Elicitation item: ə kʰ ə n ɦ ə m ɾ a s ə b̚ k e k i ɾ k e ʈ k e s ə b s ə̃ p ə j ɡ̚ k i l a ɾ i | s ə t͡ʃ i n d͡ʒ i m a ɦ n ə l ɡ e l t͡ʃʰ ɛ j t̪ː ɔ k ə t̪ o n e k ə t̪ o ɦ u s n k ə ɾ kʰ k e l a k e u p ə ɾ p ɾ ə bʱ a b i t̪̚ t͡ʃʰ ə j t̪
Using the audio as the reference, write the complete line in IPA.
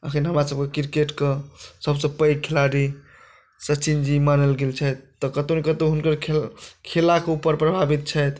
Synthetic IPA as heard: ə kʰ ə n ɦ ə m ɾ a s ə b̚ k e k i ɾ k e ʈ k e s ə b s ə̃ p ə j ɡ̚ kʰ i l a ɾ i | s ə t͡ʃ i n d͡ʒ i m a n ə l ɡ e l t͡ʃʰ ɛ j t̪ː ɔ k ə t̪ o n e k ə t̪ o ɦ u n k ə ɾ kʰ kʰ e l a k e u p ə ɾ p ɾ ə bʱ a b i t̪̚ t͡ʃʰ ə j t̪